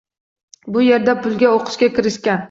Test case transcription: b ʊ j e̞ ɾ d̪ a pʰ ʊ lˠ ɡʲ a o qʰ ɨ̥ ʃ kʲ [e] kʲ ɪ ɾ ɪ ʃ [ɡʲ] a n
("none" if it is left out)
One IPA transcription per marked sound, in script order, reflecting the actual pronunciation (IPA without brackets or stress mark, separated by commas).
a, kʲ